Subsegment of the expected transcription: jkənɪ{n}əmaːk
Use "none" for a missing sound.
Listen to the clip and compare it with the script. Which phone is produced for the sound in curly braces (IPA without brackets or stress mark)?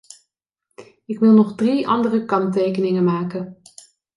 ŋ